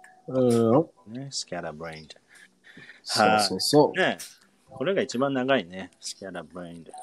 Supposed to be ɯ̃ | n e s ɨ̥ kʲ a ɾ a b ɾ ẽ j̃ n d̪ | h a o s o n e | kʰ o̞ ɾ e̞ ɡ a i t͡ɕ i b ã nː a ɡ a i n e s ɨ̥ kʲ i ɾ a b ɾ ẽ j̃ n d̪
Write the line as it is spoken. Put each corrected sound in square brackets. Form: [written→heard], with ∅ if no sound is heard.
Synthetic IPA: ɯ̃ | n e s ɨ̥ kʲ a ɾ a b ɾ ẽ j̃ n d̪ | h a o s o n e | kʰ o̞ ɾ e̞ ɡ a i t͡ɕ i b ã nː a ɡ a i n e s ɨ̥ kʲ [i→a] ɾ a b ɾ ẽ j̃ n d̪